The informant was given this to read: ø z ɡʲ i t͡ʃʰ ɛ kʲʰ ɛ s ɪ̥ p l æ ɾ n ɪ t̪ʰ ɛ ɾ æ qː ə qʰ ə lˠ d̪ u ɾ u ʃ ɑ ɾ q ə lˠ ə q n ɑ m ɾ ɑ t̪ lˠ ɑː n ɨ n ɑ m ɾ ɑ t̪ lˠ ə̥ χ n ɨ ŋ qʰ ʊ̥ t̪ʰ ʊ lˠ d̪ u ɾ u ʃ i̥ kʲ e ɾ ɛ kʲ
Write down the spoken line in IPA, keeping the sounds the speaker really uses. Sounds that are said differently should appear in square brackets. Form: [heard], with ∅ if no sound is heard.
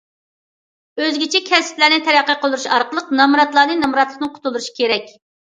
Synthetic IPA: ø z ɡʲ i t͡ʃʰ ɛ kʲʰ ɛ s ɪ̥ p l æ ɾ n ɪ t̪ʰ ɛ ɾ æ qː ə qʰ ə lˠ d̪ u ɾ u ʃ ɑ ɾ q ə lˠ ə q n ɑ m ɾ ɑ t̪ lˠ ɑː n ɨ n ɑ m ɾ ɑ t̪ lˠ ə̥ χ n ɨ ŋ qʰ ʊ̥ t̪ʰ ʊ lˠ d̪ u ɾ u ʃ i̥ kʲ e ɾ ɛ kʲ

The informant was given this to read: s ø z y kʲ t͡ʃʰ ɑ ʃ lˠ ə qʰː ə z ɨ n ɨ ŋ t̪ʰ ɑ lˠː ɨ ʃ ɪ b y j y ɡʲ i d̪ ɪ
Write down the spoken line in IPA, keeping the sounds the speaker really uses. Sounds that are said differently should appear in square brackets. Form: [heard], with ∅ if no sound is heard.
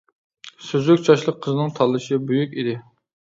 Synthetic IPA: s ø z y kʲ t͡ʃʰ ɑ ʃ lˠ ə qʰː ə z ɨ n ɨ ŋ t̪ʰ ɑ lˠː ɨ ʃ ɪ b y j y [kʲ] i d̪ ɪ

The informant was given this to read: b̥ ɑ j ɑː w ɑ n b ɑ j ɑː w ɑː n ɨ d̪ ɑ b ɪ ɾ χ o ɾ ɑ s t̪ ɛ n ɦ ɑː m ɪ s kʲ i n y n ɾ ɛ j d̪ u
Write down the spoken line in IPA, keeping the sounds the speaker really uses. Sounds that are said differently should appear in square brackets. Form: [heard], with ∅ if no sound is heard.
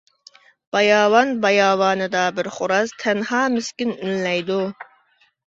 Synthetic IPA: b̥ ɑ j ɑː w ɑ n b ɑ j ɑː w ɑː n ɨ d̪ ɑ b ɪ ɾ χ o ɾ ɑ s [t̪ʰ] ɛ n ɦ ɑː m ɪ s kʲ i n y n [l] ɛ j d̪ u

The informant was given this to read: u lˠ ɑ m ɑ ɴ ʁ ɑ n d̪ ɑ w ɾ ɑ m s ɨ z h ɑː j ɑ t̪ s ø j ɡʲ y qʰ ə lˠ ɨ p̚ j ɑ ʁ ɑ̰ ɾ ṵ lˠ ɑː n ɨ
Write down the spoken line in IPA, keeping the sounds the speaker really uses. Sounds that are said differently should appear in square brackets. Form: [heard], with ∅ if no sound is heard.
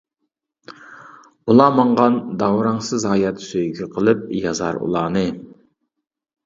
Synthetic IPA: u lˠ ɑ m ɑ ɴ ʁ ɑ n d̪ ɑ w ɾ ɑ [ŋ] s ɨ z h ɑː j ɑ t̪ s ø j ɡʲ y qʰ ə lˠ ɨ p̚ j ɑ [z] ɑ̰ ɾ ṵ lˠ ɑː n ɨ

